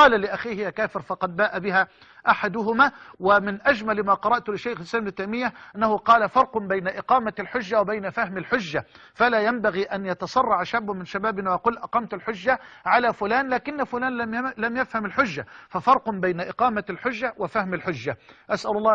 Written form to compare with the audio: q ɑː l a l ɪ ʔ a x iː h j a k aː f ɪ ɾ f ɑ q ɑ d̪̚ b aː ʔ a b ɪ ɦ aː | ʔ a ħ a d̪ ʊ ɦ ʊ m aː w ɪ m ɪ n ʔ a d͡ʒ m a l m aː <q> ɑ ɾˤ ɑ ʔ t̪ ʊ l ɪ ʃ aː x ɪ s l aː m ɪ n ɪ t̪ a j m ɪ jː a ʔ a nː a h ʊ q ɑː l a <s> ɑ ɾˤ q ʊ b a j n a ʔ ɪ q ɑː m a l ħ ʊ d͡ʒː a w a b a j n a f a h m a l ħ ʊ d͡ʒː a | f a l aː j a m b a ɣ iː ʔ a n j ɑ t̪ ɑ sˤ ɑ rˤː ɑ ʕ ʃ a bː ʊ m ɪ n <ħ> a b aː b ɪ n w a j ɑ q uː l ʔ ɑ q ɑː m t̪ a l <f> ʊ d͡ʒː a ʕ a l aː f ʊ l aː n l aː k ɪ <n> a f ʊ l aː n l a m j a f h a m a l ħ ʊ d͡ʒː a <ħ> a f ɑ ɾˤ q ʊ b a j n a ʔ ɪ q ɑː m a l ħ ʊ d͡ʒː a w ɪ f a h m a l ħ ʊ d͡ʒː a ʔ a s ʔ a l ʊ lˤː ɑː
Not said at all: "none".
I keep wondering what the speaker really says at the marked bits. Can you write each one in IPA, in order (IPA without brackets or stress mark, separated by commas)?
q, f, ʃ, ħ, nː, f